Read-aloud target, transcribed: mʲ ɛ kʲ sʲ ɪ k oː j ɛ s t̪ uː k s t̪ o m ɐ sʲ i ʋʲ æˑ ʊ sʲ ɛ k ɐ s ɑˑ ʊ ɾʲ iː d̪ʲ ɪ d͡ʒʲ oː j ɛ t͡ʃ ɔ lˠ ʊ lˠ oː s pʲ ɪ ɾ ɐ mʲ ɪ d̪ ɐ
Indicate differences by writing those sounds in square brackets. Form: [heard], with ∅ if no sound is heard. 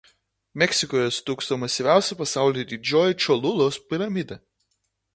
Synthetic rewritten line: mʲ ɛ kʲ sʲ ɪ k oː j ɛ s t̪ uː k s t̪ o m ɐ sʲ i ʋʲ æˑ ʊ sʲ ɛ [p] ɐ s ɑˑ ʊ [lʲ] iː d̪ʲ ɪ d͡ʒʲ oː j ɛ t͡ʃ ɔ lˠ ʊ lˠ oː s pʲ ɪ ɾ ɐ mʲ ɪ d̪ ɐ